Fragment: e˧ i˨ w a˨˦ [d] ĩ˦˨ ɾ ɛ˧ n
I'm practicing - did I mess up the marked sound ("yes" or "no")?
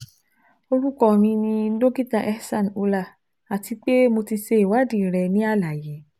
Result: no